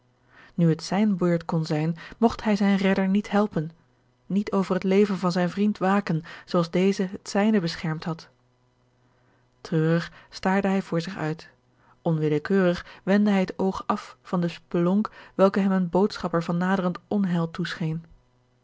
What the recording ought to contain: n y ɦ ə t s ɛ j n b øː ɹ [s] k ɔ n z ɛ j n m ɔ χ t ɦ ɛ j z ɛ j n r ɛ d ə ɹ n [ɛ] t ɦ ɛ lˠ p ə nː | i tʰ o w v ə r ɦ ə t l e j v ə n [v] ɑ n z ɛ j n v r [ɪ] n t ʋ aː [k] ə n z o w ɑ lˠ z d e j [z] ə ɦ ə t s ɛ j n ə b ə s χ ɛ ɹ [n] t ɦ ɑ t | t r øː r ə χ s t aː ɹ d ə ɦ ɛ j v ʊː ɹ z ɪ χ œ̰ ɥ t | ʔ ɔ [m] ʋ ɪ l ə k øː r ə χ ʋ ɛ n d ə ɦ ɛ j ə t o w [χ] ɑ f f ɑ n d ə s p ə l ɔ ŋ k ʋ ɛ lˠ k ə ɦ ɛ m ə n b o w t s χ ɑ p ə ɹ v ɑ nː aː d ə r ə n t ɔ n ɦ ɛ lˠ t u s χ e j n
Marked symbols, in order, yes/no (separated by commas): no, no, yes, no, yes, yes, no, no, yes